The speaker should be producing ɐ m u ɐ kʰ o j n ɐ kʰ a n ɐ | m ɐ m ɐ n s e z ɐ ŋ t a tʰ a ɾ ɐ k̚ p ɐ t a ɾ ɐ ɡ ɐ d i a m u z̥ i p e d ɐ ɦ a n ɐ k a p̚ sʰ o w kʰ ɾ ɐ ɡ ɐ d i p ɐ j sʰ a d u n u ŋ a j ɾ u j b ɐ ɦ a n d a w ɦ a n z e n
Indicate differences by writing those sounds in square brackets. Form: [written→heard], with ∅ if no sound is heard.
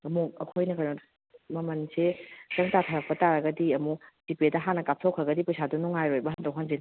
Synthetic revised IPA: ɐ m u ɐ kʰ o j n ɐ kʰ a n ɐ | m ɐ m ɐ n s e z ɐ ŋ t a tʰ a ɾ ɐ k̚ p ɐ t a ɾ ɐ ɡ ɐ d i [a→ɐ] m u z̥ i p e d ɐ ɦ a n ɐ k a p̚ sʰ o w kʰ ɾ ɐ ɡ ɐ d i p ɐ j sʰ a d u n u ŋ a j ɾ [u→o] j b ɐ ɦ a n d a w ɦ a n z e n